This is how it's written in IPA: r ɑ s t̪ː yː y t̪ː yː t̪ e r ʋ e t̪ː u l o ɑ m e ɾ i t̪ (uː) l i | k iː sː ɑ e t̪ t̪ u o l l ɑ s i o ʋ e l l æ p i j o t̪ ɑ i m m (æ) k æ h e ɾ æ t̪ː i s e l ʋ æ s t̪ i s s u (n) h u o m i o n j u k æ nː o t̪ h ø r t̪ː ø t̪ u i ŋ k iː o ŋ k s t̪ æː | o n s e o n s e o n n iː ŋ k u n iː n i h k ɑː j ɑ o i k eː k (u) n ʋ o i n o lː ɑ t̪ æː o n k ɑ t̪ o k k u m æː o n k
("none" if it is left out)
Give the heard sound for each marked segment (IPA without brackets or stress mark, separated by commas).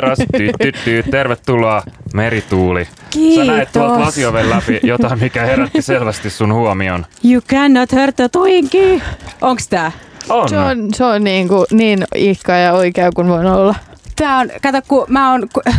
uː, i, n, u